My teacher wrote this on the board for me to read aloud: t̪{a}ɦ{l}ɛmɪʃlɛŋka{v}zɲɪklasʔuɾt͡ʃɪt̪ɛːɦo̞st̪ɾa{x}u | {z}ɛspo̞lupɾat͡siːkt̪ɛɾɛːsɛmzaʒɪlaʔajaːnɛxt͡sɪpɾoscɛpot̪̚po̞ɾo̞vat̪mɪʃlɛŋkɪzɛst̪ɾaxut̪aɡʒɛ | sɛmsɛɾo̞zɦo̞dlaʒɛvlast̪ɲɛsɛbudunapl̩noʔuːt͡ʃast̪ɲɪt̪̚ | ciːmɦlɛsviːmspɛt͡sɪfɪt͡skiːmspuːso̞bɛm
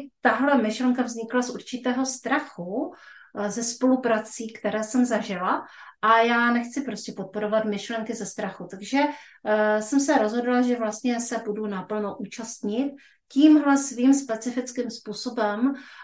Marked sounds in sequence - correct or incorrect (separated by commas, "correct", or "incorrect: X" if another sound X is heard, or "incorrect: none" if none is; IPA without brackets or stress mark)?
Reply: correct, correct, correct, correct, correct